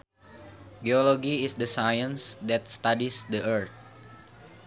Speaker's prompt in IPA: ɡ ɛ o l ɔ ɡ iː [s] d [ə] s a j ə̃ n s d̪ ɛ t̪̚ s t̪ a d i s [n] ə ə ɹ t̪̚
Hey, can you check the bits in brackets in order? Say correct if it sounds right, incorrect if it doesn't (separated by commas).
correct, correct, incorrect